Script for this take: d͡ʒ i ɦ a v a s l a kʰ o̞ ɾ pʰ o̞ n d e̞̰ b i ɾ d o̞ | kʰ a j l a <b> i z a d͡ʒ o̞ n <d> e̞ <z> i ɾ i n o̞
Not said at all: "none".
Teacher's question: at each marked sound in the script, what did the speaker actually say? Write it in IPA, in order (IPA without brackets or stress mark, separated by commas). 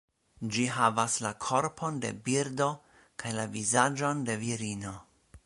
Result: v, d, v